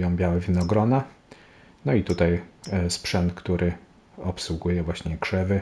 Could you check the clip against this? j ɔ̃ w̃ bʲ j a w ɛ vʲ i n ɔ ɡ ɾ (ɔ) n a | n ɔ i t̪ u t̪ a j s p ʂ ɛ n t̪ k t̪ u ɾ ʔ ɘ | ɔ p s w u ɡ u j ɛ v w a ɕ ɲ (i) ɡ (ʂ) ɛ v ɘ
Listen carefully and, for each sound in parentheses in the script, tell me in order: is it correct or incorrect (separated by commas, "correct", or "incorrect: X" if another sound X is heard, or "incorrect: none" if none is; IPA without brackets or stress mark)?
correct, incorrect: ɛ, correct